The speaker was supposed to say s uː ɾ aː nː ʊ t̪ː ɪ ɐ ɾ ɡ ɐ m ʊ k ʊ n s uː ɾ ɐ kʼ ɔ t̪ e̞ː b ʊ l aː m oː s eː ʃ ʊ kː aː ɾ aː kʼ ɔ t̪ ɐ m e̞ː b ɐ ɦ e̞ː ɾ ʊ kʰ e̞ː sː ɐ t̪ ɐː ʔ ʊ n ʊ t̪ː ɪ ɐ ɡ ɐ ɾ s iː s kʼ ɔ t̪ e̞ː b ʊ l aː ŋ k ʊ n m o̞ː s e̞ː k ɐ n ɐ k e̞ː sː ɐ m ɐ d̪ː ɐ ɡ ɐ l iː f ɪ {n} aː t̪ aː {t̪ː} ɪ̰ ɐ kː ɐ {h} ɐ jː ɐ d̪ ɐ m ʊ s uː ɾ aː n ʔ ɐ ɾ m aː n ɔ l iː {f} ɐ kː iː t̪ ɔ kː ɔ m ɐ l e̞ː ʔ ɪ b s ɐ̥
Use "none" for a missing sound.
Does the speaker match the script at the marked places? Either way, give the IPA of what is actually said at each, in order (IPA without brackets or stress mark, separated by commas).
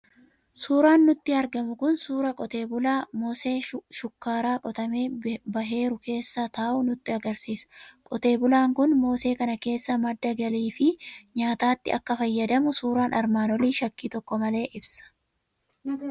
ɲ, t̪ː, f, ʃ